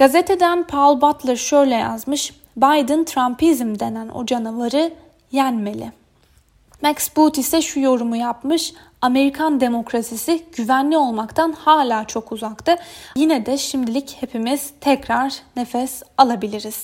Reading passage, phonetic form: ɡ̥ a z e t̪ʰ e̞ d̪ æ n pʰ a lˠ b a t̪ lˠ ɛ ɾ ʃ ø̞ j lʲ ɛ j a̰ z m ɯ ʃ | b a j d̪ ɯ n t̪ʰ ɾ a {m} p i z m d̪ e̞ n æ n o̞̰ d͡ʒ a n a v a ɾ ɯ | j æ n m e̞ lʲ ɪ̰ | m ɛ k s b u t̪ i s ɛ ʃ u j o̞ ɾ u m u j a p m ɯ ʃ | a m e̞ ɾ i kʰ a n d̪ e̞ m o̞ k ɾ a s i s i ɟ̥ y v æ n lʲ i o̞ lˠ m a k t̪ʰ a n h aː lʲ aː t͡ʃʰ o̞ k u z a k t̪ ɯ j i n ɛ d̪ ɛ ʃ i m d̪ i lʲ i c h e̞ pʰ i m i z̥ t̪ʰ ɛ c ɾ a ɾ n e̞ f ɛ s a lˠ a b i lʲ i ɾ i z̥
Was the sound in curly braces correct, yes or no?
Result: yes